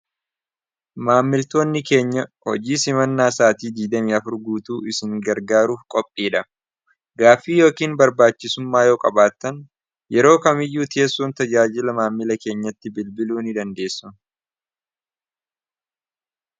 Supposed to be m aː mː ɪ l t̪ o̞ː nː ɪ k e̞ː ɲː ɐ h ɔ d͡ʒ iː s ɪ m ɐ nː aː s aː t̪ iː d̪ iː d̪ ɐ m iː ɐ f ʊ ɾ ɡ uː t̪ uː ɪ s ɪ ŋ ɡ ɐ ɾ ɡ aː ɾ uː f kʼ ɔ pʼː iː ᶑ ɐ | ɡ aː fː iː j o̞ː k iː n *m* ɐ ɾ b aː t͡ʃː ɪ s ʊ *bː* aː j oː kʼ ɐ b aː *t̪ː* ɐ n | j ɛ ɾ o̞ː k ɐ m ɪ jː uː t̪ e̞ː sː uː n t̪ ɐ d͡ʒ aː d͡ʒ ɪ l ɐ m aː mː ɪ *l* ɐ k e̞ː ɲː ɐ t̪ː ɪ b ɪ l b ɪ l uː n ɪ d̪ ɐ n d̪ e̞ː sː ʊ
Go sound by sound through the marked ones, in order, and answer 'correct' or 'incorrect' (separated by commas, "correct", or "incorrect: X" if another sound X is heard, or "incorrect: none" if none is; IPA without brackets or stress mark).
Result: incorrect: b, incorrect: mː, correct, correct